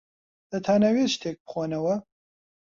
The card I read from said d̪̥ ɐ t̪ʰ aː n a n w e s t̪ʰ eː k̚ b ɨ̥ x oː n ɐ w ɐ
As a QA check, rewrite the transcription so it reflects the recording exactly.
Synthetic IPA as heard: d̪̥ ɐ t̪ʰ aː n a w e ʃ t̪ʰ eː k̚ b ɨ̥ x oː n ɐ w ɐ

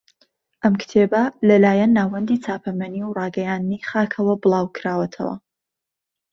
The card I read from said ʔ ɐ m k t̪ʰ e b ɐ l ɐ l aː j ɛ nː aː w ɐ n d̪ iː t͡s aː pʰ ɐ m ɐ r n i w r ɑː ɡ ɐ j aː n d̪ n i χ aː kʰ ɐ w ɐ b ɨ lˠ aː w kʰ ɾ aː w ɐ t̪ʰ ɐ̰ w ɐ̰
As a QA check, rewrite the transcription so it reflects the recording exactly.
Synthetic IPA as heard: ʔ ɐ m k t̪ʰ e b ɐ l ɐ l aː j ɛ nː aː w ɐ n d̪ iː t͡s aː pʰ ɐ m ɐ n i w r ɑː ɡ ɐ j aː n d̪ n i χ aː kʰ ɐ w ɐ b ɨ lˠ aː w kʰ ɾ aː w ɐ t̪ʰ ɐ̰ w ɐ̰

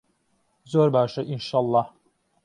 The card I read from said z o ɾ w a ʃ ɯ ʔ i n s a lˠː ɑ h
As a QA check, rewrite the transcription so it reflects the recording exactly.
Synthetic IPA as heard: z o ɾ b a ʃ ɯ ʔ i n ʃ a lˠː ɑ h

